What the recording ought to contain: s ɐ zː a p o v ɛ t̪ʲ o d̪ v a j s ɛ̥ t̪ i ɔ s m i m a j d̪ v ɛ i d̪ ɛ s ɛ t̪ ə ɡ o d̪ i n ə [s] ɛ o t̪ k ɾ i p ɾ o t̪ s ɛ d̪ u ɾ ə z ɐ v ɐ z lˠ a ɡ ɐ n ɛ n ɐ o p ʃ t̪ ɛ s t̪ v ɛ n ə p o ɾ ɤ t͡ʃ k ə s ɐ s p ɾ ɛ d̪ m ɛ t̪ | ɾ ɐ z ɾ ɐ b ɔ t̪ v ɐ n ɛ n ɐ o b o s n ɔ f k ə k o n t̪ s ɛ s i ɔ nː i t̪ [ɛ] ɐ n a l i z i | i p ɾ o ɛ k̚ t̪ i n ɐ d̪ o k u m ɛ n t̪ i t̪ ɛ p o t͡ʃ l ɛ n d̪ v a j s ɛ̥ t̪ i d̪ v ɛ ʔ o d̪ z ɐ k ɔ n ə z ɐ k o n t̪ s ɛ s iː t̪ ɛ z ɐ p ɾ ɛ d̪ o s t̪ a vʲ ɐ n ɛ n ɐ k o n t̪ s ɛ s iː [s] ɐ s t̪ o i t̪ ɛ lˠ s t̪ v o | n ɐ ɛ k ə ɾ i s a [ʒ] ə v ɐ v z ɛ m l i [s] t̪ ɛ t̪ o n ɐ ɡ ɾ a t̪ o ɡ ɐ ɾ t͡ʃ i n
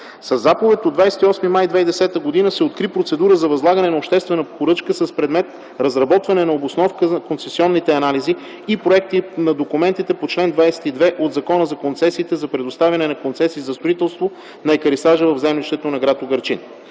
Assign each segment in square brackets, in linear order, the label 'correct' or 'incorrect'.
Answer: correct, correct, incorrect, correct, incorrect

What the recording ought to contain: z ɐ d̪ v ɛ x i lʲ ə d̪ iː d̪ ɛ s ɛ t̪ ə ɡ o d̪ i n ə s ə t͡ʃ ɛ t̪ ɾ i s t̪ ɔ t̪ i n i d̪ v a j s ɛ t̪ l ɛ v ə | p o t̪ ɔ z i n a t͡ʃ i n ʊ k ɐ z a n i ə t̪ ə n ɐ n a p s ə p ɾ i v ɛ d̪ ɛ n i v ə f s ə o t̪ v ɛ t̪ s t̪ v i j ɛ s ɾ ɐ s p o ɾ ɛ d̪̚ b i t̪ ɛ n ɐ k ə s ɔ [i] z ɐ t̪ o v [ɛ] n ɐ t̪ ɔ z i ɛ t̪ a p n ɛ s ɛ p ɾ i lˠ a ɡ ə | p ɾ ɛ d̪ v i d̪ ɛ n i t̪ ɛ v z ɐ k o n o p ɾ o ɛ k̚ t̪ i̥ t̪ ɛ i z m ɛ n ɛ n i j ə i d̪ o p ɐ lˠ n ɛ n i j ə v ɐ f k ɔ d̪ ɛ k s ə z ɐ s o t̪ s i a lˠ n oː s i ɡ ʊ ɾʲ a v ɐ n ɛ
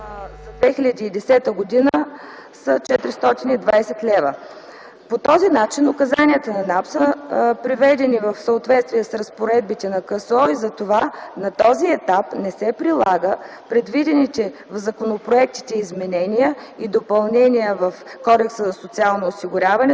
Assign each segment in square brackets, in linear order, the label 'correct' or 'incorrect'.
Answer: correct, incorrect

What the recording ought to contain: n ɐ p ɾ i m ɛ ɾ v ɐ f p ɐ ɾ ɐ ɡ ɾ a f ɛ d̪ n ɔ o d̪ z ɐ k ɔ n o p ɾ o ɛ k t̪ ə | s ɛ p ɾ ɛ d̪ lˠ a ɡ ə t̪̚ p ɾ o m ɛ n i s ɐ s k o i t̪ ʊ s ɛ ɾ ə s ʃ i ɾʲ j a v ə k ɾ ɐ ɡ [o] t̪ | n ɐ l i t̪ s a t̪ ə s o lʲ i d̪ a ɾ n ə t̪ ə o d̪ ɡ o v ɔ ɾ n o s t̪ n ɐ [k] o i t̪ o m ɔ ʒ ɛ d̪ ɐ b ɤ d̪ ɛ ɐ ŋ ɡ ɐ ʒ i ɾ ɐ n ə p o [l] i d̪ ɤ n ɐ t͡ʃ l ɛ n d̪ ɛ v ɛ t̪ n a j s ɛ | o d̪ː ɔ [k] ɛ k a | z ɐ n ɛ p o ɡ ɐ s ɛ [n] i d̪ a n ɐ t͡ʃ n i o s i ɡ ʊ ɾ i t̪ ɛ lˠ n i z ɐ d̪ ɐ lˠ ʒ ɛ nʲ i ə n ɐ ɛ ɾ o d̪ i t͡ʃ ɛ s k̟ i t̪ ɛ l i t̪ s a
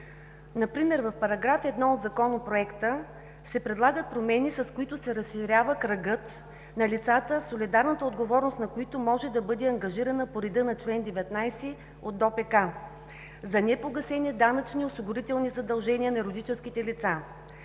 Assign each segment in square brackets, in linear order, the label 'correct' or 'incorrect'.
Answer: incorrect, correct, incorrect, incorrect, correct

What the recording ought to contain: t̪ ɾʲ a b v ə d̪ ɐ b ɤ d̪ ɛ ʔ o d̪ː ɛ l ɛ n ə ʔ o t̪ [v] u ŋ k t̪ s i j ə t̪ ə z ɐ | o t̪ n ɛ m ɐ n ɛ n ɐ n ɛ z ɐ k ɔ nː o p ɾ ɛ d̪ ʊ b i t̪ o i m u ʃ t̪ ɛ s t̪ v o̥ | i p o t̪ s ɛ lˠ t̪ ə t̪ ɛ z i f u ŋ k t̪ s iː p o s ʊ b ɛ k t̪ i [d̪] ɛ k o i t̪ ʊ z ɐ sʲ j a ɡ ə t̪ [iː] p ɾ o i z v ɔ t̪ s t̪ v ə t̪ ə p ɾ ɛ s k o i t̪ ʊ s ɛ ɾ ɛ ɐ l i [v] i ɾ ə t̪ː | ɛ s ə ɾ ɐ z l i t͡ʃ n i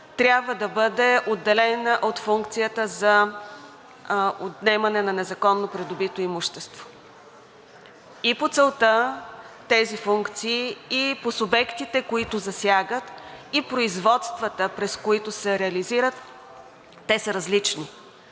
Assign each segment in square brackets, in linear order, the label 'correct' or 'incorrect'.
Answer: incorrect, incorrect, incorrect, incorrect

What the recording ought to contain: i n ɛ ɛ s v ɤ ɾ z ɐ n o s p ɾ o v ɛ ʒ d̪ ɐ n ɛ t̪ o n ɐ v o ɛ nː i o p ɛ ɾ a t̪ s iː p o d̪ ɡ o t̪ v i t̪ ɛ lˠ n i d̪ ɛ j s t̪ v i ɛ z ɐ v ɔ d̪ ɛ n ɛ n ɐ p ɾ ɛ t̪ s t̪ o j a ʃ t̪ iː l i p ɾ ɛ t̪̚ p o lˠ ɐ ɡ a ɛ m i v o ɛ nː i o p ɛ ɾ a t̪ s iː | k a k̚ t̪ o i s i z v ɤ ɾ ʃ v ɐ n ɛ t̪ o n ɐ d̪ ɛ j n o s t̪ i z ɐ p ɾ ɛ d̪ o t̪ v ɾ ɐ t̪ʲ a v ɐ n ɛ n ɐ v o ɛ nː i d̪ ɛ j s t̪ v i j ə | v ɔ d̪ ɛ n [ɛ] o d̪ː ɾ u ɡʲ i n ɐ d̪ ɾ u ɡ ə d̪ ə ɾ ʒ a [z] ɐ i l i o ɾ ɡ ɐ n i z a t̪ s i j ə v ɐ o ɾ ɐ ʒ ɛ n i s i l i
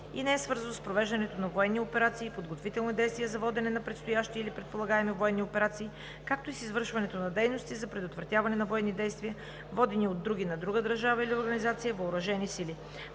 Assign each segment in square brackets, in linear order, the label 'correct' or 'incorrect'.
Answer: incorrect, incorrect

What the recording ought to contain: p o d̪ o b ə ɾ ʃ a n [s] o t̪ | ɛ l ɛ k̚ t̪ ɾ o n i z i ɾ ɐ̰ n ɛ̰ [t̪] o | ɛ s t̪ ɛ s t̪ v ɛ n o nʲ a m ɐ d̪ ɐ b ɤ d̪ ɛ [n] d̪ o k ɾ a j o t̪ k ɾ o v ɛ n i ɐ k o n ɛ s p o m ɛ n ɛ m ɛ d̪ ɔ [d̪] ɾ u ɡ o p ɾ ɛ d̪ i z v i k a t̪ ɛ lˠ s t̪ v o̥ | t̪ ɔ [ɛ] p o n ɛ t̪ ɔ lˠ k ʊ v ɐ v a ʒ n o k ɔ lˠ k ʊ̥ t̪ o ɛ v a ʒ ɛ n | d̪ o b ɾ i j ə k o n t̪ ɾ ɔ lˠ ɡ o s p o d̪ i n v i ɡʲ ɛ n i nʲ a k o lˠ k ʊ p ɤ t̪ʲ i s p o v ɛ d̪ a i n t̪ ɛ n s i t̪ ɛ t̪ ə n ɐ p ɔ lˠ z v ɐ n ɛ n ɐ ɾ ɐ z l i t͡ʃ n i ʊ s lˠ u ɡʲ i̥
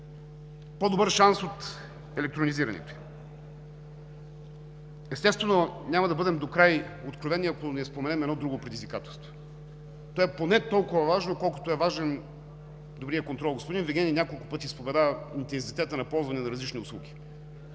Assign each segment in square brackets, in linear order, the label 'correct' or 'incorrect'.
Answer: correct, correct, incorrect, correct, correct

